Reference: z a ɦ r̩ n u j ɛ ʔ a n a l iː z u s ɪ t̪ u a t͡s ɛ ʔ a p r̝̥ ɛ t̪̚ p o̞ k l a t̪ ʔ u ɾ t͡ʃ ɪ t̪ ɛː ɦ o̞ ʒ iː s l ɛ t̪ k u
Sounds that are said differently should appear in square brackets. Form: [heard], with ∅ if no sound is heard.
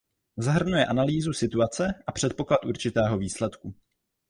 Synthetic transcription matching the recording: z a ɦ r̩ n u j ɛ ʔ a n a l iː z u s ɪ t̪ u a t͡s ɛ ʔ a p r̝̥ ɛ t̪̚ p o̞ k l a t̪ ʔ u ɾ t͡ʃ ɪ t̪ ɛː ɦ o̞ [v] iː s l ɛ t̪ k u